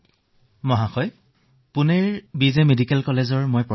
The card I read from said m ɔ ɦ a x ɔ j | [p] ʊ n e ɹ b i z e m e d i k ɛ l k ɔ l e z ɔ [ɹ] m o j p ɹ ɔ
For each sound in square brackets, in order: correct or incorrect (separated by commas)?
correct, correct